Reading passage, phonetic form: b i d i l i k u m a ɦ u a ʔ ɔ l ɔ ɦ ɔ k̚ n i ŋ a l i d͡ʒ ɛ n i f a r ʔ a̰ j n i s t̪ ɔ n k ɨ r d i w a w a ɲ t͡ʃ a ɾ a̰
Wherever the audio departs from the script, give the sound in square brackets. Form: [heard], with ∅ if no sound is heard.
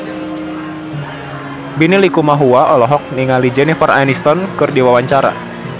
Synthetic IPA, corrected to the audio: b i [n] i l i k u m a ɦ u a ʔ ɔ l ɔ ɦ ɔ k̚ n i ŋ a l i d͡ʒ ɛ n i f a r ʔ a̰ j n i s t̪ ɔ n k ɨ r d i w a w a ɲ t͡ʃ a ɾ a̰